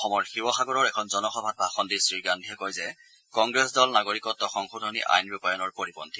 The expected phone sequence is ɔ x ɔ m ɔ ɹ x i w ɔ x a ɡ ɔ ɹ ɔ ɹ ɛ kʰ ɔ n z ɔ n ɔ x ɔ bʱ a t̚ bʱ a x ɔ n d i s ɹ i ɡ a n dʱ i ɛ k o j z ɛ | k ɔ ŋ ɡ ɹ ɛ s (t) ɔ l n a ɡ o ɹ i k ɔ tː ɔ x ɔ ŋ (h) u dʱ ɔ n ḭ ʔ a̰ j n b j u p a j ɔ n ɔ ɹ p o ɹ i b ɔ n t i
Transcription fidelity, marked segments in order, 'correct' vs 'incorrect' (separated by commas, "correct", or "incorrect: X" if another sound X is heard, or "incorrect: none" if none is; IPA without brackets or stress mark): incorrect: d, incorrect: x